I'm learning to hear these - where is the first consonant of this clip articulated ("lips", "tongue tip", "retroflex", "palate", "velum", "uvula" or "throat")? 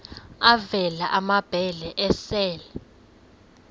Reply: lips